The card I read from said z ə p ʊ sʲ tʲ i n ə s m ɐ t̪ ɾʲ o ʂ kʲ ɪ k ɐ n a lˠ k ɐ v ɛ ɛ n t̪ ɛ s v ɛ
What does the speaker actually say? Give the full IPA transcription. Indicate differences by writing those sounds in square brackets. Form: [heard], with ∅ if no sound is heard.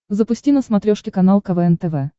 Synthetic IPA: z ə p ʊ sʲ tʲ i n ə s m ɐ t̪ ɾʲ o ʂ kʲ ɪ k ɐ n a lˠ k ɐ v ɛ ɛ n t̪ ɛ [∅] v ɛ